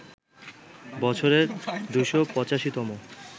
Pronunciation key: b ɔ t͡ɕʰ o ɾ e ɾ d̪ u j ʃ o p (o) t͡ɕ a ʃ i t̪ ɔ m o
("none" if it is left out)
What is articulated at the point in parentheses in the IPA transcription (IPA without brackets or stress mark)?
ɔ